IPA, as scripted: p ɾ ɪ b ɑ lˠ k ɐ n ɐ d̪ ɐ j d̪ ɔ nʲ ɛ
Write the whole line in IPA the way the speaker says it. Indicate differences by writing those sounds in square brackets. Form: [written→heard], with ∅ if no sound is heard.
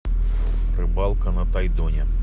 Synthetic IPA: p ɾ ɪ b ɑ lˠ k ɐ n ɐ [d̪→t̪] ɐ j d̪ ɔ nʲ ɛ